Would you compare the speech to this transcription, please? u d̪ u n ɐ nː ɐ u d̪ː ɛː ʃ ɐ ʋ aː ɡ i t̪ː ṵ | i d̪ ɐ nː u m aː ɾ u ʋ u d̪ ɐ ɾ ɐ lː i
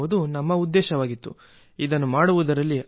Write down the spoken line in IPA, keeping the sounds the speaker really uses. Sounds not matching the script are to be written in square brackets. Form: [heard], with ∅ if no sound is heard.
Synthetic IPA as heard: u d̪ u n ɐ [mː] ɐ u d̪ː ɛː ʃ ɐ ʋ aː ɡ i t̪ː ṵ | i d̪ ɐ nː u m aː [ɽ] u ʋ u d̪ ɐ ɾ ɐ lː i